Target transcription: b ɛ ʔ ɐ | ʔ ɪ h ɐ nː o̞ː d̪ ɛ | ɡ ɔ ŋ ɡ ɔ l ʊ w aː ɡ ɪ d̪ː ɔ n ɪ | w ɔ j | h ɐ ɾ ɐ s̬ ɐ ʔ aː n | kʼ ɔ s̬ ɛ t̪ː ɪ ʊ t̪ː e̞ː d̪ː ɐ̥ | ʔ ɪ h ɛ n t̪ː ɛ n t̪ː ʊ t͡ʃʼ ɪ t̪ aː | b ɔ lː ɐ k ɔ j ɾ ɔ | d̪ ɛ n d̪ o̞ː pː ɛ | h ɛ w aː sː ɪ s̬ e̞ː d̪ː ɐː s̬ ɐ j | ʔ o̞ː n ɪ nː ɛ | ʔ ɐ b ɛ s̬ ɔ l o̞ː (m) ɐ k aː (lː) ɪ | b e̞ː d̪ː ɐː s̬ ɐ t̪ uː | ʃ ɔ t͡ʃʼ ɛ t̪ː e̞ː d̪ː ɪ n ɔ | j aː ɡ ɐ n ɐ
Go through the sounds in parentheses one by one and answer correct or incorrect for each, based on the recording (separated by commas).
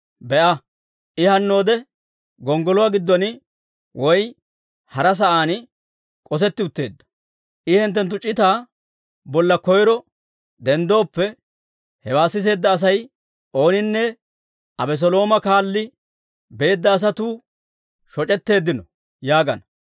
correct, correct